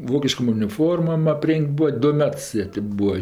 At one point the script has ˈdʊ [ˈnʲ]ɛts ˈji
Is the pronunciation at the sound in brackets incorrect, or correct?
incorrect